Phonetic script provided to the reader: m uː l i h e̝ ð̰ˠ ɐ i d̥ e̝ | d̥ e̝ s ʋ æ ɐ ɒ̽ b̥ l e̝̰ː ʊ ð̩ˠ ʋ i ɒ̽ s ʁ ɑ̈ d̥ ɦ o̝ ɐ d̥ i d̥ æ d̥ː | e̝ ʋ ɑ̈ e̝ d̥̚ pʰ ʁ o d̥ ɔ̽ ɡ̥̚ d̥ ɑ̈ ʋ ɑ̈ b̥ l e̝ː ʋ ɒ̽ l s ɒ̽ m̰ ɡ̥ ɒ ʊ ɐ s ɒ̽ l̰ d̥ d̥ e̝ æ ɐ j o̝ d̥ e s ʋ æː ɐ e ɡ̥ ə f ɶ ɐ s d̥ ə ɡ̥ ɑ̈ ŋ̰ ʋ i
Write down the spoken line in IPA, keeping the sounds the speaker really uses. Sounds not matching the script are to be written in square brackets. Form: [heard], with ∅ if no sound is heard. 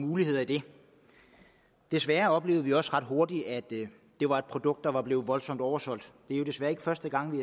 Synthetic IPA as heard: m uː l i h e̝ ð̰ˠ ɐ i d̥ e̝ | d̥ e̝ s ʋ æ ɐ ɒ̽ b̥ l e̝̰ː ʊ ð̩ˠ ʋ i ɒ̽ s ʁ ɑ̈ d̥ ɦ o̝ ɐ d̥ i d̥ æ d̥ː | e̝ ʋ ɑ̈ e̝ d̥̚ pʰ ʁ o d̥ ɔ̽ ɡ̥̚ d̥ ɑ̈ ʋ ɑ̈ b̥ l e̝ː ʋ ɒ̽ l s ɒ̽ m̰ [d̥] ɒ ʊ ɐ s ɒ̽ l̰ d̥ d̥ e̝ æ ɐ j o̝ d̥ e s ʋ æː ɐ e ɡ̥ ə f ɶ ɐ s d̥ ə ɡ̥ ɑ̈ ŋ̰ ʋ i

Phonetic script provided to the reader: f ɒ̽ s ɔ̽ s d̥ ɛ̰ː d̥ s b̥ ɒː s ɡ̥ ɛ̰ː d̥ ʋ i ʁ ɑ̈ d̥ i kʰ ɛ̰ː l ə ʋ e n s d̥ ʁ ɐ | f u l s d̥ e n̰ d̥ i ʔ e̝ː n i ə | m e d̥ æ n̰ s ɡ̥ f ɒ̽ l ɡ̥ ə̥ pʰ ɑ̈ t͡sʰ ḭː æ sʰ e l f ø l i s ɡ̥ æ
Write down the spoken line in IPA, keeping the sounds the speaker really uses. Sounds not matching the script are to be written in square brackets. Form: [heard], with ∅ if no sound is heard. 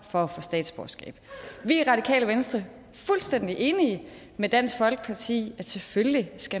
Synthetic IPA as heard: f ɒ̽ [f] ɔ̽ s d̥ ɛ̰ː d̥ s b̥ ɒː s ɡ̥ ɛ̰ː [b̥] ʋ i ʁ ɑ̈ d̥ i kʰ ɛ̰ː l ə ʋ e n s d̥ ʁ ɐ | f u l s d̥ e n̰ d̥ i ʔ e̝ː n i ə | m e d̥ æ n̰ s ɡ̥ f ɒ̽ l ɡ̥ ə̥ pʰ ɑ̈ t͡sʰ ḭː æ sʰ e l f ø l i s ɡ̥ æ

